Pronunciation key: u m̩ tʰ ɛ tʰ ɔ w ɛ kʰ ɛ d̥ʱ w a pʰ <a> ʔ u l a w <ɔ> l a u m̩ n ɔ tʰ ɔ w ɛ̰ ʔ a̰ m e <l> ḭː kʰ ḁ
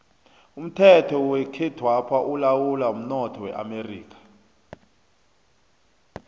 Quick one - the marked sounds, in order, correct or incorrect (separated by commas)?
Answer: correct, incorrect, incorrect